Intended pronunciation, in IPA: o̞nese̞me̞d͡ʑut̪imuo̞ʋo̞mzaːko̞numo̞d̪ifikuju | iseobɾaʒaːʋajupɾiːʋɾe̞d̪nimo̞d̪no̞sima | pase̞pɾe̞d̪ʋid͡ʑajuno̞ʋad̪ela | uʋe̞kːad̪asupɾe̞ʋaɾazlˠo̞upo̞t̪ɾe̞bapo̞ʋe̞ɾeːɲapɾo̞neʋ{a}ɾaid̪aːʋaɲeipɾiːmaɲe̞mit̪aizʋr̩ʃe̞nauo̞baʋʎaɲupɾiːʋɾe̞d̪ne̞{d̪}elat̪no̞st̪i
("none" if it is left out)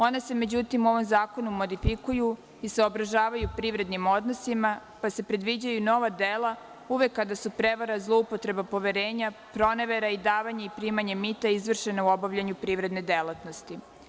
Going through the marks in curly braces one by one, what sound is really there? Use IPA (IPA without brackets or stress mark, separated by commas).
e, d̪